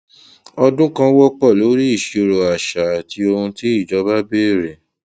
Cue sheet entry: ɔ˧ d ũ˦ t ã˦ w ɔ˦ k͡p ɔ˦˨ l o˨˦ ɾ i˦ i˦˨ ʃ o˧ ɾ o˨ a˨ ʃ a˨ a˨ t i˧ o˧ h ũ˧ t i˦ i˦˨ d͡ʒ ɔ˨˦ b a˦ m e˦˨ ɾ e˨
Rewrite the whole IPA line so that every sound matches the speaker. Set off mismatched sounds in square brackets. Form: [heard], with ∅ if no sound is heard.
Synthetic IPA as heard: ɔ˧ d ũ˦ [k] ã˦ w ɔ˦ k͡p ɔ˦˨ l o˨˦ ɾ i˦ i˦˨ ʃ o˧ ɾ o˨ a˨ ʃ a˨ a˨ t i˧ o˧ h ũ˧ t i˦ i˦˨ d͡ʒ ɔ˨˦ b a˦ [b] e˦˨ ɾ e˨